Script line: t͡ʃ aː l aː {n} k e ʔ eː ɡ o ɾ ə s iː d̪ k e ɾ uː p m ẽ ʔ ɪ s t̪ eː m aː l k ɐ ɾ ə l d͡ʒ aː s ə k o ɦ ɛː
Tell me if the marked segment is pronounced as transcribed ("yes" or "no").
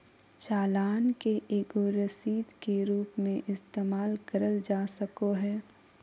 yes